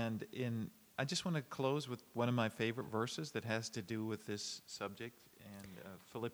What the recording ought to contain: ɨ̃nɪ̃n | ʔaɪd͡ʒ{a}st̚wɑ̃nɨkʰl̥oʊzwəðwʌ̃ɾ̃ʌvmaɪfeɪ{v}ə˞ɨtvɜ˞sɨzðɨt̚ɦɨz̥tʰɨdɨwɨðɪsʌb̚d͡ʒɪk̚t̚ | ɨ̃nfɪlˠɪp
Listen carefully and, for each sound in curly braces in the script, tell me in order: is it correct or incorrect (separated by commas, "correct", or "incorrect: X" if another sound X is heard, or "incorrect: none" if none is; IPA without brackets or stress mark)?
incorrect: ʌ, correct